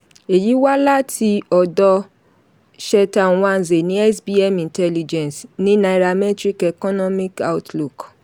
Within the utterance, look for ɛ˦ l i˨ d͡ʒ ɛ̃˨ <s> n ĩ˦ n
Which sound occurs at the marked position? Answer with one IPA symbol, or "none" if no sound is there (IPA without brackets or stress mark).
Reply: s